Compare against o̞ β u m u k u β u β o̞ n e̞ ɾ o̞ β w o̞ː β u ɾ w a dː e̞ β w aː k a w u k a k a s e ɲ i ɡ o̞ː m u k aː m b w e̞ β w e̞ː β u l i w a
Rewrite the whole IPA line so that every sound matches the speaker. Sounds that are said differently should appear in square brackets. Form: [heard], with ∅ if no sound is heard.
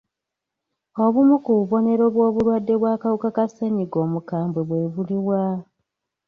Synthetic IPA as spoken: o̞ β u m u k u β u β o̞ n e̞ ɾ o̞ β w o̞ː β u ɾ w a dː e̞ β w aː k a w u k a k a s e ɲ i ɡ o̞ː m u k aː m b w e̞ β w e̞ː β u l i w a